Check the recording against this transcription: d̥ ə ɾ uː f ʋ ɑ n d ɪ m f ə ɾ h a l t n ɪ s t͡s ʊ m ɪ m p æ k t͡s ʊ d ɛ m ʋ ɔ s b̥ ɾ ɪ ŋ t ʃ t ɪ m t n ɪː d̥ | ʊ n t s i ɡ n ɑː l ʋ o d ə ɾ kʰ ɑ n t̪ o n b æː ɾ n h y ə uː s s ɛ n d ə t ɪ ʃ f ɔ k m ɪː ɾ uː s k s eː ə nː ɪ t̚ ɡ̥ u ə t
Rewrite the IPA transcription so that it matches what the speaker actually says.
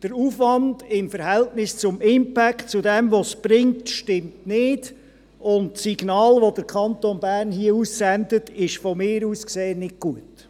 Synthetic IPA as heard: d̥ ə ɾ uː f ʋ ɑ n d ɪ m f ə ɾ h ɛ l t n ɪ s t͡s ʊ m ɪ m p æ k t͡s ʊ d ɛ m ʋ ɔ s b̥ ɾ ɪ ŋ t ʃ t ɪ m t n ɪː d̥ | ʊ n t s i ɡ n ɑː l ʋ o d ə ɾ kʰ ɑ n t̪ o n b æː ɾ n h i ə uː s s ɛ n d ə t ɪ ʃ f ɔ m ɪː ɾ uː s k s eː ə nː ɪ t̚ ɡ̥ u ə t